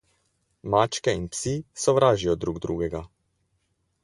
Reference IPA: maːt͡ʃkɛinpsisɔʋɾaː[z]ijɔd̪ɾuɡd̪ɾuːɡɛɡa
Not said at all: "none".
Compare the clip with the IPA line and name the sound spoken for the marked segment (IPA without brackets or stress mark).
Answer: ʒ